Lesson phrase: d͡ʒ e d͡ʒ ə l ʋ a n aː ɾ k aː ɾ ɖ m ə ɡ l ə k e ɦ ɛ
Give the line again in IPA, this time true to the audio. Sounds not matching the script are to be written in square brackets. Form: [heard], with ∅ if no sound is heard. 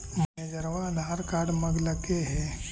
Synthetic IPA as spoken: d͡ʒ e d͡ʒ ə [ɾ] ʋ a n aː ɾ k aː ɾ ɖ m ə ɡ l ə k e ɦ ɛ

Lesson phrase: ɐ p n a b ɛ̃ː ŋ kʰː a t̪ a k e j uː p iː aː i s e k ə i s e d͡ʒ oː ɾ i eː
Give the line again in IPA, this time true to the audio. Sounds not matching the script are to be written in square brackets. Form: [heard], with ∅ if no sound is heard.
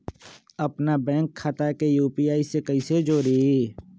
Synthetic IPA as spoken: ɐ p n a b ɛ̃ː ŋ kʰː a t̪ a k e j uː p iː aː i s e k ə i s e d͡ʒ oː ɾ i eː

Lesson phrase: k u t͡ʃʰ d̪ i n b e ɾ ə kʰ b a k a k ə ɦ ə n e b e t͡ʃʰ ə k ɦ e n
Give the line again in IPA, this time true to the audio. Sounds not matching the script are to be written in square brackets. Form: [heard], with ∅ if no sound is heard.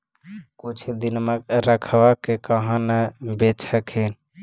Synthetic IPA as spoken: k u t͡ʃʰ d̪ i n [m] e ɾ ə kʰ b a k [e] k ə ɦ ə n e b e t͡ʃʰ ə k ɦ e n

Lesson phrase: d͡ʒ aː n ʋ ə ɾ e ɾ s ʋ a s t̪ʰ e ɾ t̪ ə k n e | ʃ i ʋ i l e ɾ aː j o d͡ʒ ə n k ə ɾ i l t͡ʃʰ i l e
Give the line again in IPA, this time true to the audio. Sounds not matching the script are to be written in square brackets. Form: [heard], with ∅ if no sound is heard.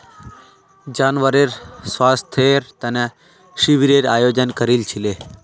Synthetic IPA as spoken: d͡ʒ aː n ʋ ə ɾ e ɾ s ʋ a s t̪ʰ e ɾ t̪ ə [∅] n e | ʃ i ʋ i [ɾ] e ɾ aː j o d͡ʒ ə n k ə ɾ i l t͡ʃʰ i l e

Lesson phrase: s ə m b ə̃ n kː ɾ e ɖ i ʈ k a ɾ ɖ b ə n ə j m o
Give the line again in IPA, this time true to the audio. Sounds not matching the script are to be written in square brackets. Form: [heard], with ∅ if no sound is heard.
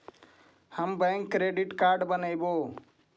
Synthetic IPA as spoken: [h] ə m b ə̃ [ŋ] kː ɾ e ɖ i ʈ k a ɾ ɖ b ə n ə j [b] o

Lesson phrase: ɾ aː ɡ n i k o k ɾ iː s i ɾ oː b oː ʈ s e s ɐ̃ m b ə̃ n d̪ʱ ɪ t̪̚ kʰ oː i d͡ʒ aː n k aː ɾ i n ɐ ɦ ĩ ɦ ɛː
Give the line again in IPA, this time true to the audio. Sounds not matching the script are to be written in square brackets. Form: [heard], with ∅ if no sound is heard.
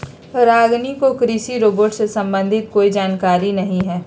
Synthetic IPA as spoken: ɾ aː ɡ n i k o k ɾ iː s i ɾ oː b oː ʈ s e s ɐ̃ m b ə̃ n d̪ʱ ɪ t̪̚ [k] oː i d͡ʒ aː n k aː ɾ i n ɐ ɦ ĩ ɦ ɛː

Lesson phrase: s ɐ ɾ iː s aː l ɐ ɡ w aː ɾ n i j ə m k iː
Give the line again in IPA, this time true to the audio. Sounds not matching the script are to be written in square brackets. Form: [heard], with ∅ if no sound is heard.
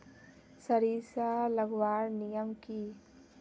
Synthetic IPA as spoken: s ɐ ɾ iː s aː l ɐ ɡ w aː ɾ n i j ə m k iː

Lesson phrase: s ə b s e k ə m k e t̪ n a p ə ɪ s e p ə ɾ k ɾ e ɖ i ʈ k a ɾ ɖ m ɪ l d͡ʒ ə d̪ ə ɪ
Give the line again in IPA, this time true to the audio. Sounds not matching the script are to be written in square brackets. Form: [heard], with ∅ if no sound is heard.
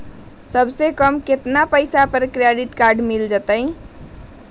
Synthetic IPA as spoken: s ə b s e k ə m k e t̪ n a p ə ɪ s [a] p ə ɾ k ɾ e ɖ i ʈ k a ɾ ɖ m [i] l d͡ʒ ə [t̪] ə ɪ

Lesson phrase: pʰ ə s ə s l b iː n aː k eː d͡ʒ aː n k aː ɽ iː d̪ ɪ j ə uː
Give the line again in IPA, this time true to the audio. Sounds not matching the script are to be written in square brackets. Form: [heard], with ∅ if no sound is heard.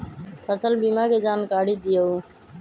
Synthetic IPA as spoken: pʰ ə s ə [∅] l b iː [m] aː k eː d͡ʒ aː n k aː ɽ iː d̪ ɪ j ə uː

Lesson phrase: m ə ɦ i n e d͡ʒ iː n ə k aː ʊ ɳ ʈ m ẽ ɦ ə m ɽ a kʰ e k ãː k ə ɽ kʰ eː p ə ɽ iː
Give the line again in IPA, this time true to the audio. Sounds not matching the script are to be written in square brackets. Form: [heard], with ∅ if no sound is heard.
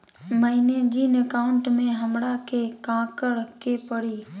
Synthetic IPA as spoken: m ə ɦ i n e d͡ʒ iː n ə k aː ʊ ɳ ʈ m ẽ ɦ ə m ɽ a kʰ e k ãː k ə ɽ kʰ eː p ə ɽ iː

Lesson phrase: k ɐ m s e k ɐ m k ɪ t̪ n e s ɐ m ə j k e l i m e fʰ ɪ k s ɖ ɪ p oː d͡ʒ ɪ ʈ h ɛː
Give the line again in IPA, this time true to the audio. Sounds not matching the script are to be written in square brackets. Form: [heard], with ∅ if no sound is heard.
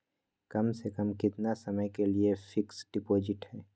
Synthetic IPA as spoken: k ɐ m s e k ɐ m k ɪ t̪ n [a] s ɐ m ə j k e l i [∅] e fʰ ɪ k s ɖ ɪ p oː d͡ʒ ɪ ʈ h ɛː

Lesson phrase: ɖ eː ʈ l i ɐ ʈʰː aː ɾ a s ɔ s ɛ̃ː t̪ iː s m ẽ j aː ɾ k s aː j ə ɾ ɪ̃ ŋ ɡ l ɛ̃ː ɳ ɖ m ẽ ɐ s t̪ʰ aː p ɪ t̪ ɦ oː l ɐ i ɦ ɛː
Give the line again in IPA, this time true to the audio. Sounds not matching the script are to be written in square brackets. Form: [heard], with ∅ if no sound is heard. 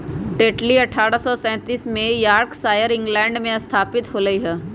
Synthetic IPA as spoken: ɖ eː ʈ l i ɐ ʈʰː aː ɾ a s ɔ s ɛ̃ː t̪ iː s m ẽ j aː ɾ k s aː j ə ɾ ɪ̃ ŋ ɡ l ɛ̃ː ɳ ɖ m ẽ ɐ s t̪ʰ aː p ɪ t̪ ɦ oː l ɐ i ɦ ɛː

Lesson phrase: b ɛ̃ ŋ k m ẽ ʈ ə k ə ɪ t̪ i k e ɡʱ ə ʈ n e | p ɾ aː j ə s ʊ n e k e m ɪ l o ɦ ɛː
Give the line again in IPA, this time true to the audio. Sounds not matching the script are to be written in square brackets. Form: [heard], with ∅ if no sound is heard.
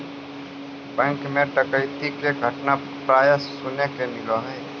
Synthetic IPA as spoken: b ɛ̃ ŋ k m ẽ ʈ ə k ə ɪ t̪ i k e ɡʱ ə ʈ n [a] | p ɾ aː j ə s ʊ n e k e m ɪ l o ɦ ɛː

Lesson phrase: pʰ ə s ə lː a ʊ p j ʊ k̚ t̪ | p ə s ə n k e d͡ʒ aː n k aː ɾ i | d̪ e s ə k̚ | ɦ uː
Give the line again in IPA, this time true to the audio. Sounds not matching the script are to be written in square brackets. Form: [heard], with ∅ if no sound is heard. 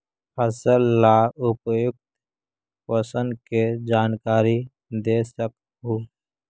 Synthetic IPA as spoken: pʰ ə s ə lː a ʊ p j ʊ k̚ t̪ | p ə s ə n k e d͡ʒ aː n k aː ɾ i | d̪ e s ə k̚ | ɦ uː

